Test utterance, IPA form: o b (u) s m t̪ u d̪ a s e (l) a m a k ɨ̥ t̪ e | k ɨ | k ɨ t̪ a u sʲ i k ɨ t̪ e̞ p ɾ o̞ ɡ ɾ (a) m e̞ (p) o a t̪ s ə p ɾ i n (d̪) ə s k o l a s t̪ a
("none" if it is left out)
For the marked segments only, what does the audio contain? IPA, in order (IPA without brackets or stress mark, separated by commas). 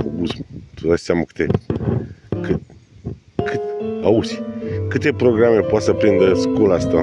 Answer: u, none, a, p, d̪